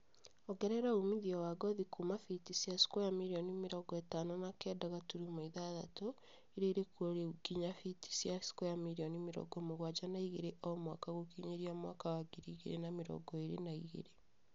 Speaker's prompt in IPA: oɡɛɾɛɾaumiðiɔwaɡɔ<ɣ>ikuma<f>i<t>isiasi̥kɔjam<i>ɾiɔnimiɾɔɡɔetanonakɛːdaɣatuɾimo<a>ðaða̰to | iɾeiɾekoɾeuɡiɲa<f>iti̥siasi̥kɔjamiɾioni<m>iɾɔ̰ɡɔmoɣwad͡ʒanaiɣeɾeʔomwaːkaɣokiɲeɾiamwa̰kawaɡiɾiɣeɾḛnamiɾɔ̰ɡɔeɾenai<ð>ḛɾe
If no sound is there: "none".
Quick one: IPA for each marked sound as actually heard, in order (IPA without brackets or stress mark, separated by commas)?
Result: ð, f, t, i, i, f, m, ɣ